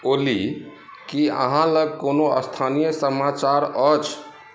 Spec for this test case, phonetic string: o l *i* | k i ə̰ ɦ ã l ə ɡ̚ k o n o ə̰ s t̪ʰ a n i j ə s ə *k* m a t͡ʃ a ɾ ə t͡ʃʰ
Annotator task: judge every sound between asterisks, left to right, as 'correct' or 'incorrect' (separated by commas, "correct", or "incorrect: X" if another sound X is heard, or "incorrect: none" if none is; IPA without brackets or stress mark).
correct, incorrect: none